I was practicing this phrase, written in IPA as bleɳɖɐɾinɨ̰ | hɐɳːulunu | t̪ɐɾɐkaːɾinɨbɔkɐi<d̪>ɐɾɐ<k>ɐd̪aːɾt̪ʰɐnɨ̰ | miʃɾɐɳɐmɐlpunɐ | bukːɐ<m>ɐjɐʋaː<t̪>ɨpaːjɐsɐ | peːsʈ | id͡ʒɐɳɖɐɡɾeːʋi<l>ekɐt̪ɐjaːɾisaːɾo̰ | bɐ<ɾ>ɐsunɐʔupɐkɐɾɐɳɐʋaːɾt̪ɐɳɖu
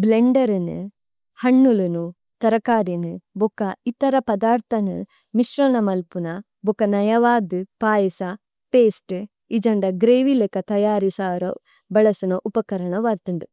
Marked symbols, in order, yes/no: no, no, no, no, yes, no

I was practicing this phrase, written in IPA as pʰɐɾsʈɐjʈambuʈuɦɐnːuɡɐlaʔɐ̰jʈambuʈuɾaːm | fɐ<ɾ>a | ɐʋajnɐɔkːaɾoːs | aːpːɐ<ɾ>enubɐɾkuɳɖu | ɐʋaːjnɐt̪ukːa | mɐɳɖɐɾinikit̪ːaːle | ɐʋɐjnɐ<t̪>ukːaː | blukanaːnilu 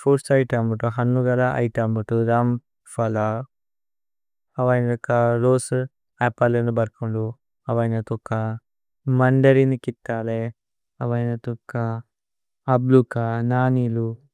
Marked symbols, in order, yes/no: no, no, yes

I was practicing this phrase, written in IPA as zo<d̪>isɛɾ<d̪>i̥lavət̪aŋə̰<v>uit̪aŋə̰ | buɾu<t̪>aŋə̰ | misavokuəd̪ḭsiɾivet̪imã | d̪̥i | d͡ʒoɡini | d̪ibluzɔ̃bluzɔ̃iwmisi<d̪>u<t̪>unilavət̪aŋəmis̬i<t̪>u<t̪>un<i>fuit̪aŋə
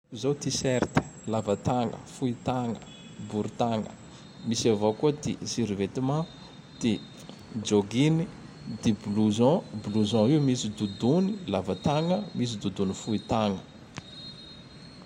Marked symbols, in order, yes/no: no, no, no, yes, yes, no, no, no, yes

